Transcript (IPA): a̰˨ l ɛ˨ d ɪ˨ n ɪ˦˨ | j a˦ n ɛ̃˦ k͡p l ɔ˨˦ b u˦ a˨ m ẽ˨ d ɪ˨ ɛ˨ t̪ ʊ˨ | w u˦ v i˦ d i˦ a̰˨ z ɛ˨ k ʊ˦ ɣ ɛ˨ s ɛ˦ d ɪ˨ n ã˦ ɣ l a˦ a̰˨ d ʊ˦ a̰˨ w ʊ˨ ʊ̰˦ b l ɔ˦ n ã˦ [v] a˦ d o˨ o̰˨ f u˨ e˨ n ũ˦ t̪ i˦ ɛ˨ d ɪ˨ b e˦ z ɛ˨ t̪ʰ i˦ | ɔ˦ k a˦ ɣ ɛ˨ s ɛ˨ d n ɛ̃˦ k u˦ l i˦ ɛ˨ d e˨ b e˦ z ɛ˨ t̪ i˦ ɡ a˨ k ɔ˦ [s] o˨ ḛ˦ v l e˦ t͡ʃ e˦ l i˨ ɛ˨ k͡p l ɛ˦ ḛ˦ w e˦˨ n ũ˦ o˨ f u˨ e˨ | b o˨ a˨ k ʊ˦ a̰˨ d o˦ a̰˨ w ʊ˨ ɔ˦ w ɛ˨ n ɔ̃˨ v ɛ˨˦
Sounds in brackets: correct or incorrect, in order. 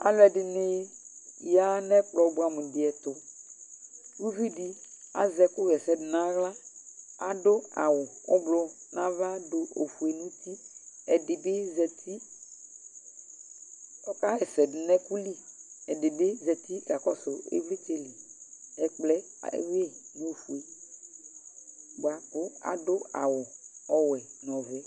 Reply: correct, correct

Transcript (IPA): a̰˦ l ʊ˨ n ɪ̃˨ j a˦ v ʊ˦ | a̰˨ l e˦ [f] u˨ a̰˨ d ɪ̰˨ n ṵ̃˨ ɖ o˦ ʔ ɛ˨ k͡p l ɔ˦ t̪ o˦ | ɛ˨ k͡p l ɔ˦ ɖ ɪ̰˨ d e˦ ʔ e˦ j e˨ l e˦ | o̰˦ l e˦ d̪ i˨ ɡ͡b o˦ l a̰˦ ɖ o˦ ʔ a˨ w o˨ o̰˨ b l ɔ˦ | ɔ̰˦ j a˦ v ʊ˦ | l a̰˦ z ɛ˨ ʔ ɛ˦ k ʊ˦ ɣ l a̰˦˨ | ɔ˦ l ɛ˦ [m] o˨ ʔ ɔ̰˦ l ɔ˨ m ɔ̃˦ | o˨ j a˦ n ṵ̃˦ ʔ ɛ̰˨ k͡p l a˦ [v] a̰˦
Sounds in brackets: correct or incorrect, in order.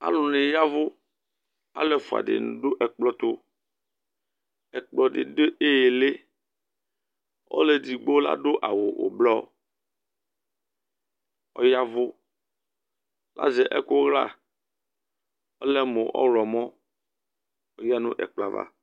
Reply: correct, correct, correct

